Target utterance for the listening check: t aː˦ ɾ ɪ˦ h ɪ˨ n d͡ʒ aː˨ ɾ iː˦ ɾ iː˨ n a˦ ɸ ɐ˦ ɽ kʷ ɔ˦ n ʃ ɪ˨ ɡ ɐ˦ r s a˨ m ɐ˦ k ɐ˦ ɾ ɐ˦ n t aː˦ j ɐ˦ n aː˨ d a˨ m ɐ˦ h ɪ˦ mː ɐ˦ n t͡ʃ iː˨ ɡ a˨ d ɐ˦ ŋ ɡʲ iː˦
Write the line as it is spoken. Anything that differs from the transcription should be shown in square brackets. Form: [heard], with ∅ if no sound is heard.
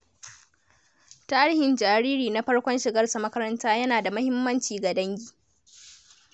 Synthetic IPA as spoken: t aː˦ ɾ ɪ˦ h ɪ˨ n d͡ʒ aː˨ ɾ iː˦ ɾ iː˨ n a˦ ɸ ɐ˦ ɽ kʷ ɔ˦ n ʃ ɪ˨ ɡ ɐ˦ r s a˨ m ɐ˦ k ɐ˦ ɾ ɐ˦ n t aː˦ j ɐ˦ n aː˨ d a˨ m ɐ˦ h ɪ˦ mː ɐ˦ n t͡ʃ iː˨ ɡ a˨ d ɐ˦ ŋ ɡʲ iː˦